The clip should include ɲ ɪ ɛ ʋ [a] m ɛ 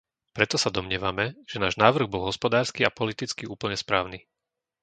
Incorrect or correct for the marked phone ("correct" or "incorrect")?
correct